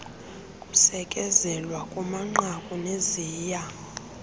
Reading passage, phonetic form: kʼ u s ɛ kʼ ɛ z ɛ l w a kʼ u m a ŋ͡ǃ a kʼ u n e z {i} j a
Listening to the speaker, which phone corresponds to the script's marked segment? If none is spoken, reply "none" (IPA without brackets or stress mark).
iː